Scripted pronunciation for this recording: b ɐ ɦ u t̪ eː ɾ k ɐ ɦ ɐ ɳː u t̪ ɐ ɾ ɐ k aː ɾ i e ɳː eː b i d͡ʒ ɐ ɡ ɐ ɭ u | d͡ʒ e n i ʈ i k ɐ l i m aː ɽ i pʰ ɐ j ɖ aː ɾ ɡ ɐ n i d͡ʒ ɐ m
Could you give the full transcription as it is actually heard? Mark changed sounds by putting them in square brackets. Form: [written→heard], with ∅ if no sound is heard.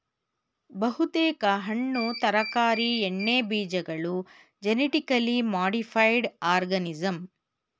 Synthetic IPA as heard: b ɐ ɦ u t̪ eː [ɾ→∅] k ɐ ɦ ɐ ɳː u t̪ ɐ ɾ ɐ k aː ɾ i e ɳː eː b [i→iː] d͡ʒ ɐ ɡ ɐ ɭ u | d͡ʒ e n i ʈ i k ɐ l i m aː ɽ i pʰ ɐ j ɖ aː ɾ ɡ ɐ n i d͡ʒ ɐ m